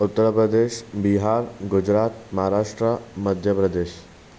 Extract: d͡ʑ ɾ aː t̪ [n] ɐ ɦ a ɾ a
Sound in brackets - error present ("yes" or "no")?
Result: yes